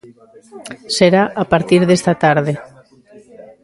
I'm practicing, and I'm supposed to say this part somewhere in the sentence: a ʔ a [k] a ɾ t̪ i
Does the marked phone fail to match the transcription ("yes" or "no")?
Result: yes